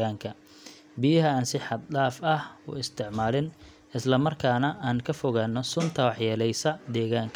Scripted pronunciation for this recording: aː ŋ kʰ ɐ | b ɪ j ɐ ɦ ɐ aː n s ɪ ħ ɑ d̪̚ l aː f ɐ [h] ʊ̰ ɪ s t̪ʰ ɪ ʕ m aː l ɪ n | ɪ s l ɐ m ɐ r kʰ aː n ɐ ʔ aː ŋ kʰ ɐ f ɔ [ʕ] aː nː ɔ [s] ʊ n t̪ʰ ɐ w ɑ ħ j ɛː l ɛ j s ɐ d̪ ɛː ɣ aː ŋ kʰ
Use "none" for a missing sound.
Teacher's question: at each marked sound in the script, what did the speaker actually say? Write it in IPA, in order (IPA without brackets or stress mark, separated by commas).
h, ɣ, s